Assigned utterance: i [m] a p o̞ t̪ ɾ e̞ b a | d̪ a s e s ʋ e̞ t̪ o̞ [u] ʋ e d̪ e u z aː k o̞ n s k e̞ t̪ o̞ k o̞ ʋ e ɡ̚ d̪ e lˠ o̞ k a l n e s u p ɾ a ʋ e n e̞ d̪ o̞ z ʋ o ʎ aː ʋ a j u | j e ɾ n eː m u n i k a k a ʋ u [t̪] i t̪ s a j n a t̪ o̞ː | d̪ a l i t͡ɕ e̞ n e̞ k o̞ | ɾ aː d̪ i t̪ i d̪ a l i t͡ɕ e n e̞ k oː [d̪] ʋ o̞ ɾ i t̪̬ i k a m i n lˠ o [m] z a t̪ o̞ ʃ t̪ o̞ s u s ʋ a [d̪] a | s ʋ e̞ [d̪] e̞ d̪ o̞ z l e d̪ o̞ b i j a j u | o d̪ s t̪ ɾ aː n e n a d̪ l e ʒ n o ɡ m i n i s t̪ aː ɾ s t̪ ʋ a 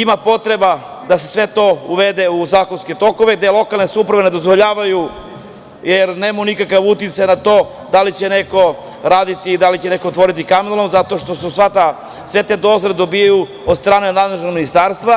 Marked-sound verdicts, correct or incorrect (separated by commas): correct, correct, correct, incorrect, correct, incorrect, incorrect